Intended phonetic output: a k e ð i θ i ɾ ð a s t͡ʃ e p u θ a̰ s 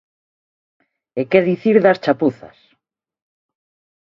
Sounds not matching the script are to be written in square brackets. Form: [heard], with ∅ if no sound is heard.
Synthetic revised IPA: [e] k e ð i θ i ɾ ð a s t͡ʃ [a] p u θ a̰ s